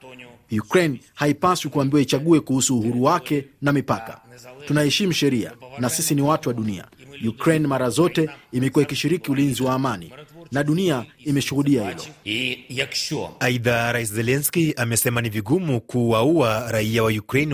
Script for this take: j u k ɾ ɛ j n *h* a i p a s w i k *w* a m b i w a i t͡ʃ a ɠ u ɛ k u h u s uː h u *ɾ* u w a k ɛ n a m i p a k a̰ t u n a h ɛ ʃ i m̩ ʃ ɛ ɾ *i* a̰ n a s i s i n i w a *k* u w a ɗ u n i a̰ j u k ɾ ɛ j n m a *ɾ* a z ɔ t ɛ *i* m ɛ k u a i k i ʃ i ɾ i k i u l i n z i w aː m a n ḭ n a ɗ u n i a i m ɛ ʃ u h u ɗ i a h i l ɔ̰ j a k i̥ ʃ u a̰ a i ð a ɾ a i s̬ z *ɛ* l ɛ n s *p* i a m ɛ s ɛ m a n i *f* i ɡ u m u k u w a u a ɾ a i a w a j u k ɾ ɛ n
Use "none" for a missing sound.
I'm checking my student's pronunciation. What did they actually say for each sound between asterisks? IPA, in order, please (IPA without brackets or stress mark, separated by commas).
h, u, ɾ, i, t, ɾ, i, ɛ, k, v